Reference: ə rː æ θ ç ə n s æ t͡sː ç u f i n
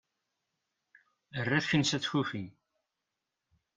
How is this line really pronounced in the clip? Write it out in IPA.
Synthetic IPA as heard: ə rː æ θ ç ə n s æ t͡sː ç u f i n